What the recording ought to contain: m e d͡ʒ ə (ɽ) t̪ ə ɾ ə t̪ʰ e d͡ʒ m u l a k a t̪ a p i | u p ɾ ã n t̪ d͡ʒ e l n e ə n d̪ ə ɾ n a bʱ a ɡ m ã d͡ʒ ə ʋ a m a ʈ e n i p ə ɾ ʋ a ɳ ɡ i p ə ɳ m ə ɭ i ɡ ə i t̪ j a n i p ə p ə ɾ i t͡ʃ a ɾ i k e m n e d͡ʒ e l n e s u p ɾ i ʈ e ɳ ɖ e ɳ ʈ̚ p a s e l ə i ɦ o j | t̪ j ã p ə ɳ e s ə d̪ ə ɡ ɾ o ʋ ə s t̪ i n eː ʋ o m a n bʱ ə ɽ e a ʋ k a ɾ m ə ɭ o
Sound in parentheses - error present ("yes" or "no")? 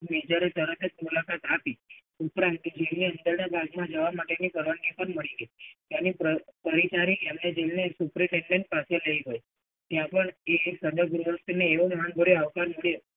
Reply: yes